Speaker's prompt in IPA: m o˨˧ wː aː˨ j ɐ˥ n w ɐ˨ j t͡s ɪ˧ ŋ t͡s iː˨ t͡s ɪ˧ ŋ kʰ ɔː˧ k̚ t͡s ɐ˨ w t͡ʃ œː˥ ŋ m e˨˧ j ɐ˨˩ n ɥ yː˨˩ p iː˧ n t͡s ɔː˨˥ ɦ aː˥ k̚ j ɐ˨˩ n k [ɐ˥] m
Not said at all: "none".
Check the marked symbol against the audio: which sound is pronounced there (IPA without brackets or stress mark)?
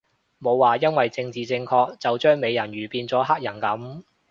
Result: ɐ˨˥